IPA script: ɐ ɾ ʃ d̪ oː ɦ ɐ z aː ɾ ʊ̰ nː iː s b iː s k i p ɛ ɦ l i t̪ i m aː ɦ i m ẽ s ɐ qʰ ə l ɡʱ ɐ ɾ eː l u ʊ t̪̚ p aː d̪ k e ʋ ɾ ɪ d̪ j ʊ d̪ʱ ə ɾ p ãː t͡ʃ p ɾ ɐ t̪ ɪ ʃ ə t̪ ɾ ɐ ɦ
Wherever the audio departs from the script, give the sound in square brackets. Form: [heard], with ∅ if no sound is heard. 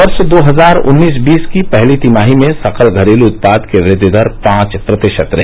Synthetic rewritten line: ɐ ɾ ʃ d̪ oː ɦ ɐ z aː ɾ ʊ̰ nː iː s b iː s k i p ɛ ɦ l i t̪ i m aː ɦ i m ẽ s ɐ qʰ ə l ɡʱ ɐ ɾ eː l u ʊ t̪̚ p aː d̪ k e ʋ ɾ ɪ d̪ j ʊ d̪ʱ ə ɾ p ãː t͡ʃ p ɾ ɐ t̪ ɪ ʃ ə t̪ ɾ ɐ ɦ